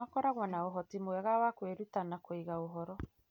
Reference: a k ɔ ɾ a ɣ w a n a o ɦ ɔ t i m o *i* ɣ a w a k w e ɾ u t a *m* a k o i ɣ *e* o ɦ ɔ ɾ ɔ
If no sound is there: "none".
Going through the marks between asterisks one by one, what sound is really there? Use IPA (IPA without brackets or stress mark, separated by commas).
ɛ, n, a